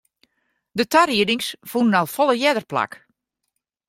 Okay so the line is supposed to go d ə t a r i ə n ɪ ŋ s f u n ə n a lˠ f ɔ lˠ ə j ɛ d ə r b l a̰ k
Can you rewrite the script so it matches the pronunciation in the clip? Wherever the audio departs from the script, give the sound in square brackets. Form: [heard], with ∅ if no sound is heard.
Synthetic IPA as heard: d ə t a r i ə [d] ɪ ŋ s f u n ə n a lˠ f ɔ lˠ ə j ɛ d ə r [p] l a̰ k